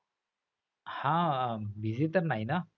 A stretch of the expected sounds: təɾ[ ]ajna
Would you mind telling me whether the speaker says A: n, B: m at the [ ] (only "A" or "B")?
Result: A